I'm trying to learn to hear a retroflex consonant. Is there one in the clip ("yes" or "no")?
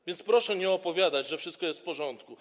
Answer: yes